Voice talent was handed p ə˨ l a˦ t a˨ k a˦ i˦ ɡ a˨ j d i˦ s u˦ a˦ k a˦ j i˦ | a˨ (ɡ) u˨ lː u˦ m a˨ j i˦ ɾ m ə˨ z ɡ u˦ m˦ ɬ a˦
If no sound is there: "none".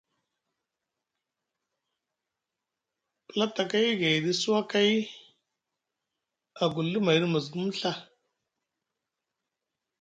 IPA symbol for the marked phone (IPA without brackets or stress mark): ɡ